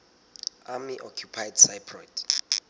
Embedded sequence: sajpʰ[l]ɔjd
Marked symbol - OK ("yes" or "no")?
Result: no